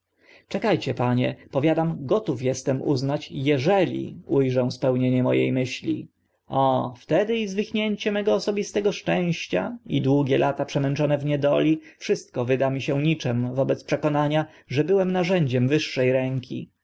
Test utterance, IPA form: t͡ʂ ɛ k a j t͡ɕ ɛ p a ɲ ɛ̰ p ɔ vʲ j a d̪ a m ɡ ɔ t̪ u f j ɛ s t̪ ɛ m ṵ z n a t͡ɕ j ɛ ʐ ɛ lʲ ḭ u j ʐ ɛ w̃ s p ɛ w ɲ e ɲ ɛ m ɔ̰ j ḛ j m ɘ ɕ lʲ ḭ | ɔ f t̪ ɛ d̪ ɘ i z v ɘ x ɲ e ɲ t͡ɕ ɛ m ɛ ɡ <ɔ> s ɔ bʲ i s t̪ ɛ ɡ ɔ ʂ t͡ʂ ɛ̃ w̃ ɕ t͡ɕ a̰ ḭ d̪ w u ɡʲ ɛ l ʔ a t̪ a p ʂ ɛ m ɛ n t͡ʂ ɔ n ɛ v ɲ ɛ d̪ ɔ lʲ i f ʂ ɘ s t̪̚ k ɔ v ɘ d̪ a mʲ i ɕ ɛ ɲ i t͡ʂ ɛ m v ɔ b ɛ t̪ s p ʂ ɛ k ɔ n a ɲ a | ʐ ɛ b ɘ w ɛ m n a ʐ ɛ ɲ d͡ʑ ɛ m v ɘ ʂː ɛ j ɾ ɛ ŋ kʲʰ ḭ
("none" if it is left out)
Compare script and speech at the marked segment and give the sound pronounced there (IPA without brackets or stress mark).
ɔː